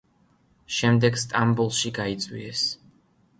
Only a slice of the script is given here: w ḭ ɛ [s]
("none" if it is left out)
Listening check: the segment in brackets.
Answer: s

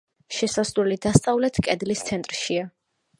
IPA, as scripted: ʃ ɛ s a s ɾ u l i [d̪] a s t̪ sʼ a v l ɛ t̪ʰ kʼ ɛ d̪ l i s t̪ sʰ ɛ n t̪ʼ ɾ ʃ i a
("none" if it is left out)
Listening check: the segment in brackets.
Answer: d̪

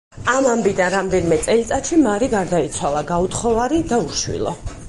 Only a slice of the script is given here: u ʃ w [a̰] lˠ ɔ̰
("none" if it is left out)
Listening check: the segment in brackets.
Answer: ḭ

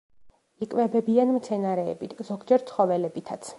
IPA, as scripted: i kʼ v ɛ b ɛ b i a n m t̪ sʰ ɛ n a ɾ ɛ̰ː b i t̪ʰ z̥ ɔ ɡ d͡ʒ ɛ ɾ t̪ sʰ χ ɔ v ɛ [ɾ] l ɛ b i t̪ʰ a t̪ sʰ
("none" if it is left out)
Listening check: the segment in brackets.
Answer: none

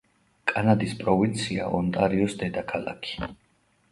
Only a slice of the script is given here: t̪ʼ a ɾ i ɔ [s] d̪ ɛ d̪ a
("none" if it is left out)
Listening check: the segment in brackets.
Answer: s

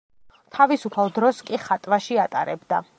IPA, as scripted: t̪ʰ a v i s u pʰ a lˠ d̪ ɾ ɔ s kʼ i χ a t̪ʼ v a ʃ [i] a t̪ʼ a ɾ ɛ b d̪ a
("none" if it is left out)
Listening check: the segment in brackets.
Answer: i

